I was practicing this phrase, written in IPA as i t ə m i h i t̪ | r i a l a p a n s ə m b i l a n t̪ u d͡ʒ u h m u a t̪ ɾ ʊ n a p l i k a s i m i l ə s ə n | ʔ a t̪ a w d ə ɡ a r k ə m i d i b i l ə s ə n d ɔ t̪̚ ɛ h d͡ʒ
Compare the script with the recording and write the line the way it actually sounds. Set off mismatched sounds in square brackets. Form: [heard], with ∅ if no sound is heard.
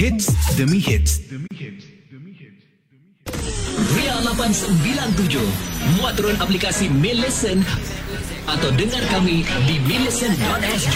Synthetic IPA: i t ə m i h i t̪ | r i a l a p a n s ə m b i l a n t̪ u d͡ʒ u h m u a t̪ ɾ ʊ n a p l i k a s i m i l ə s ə n | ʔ a t̪ a w d ə [ŋ] a r k [a] m i d i [m] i l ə s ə n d ɔ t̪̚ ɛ [s] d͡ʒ